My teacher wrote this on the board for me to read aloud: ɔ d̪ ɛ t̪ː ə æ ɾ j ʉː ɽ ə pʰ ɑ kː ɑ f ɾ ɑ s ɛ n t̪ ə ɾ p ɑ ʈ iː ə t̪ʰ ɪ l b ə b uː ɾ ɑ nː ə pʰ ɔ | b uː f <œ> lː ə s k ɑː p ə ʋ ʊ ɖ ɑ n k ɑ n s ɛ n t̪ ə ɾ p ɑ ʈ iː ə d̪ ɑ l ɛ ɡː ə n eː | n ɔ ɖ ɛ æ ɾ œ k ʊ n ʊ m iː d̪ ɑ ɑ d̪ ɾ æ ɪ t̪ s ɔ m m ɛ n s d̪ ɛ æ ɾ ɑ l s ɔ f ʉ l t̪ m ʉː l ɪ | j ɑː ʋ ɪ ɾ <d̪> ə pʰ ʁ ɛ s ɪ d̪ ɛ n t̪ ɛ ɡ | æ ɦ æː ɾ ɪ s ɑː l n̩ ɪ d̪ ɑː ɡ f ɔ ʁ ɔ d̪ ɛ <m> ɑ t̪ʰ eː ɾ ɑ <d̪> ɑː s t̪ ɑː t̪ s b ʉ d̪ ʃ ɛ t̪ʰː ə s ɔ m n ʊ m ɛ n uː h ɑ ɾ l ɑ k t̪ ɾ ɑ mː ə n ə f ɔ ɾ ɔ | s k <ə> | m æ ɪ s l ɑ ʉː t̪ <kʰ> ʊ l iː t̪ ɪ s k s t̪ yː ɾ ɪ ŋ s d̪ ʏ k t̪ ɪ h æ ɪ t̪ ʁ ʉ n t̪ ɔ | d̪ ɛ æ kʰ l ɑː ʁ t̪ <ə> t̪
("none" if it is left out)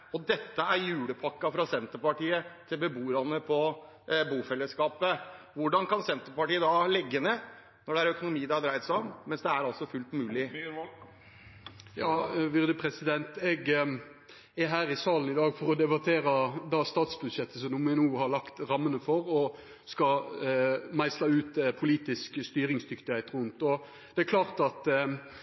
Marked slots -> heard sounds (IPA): ɛ, d̪, b, d̪, ɑ, pʰ, ɑ

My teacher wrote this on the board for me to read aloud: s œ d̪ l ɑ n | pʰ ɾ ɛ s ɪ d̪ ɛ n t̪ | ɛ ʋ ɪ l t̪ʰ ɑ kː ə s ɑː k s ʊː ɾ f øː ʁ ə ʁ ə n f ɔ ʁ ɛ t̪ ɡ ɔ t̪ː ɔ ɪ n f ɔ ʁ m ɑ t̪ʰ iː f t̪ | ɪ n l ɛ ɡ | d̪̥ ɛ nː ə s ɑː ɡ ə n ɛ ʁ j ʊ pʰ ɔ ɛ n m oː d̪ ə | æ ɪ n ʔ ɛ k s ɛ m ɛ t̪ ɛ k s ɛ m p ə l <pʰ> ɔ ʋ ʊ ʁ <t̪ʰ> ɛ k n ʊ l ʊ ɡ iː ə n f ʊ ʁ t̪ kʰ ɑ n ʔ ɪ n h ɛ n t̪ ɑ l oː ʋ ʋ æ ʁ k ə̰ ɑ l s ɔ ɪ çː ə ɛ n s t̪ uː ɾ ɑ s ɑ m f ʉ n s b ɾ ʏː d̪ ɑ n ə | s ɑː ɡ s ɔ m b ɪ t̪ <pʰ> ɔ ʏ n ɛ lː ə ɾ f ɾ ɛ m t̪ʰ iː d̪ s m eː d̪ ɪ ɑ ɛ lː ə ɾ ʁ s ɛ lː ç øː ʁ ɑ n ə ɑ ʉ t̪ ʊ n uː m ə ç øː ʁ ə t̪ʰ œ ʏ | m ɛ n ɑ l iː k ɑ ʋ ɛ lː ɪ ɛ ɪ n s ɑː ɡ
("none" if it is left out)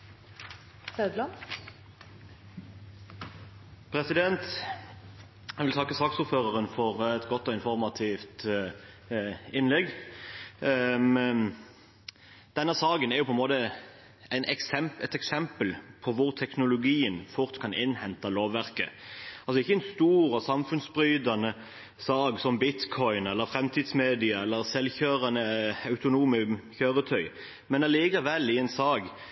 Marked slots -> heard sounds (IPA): pʰ, t̪ʰ, kʰ

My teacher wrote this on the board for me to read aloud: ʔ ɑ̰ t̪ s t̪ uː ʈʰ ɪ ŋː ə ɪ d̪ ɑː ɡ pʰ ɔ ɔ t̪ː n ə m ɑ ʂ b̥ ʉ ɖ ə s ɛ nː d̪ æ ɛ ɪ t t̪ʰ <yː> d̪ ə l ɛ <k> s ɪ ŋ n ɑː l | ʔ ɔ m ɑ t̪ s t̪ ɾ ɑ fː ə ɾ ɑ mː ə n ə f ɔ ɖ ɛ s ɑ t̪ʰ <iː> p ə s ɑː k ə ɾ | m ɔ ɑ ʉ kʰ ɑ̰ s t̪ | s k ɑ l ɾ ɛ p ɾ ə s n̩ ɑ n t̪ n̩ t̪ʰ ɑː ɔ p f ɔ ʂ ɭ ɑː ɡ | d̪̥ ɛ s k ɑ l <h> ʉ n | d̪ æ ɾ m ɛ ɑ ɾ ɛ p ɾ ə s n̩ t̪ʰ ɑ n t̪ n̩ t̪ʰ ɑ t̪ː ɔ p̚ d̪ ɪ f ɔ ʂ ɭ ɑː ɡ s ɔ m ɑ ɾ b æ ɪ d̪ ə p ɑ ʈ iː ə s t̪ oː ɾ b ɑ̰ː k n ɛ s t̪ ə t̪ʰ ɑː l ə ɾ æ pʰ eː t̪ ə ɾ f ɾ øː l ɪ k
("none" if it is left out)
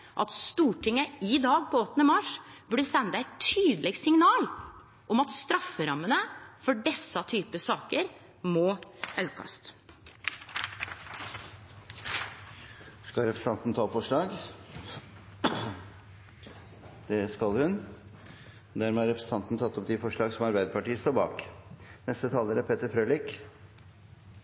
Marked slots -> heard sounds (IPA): yː, ɡ, yː, h

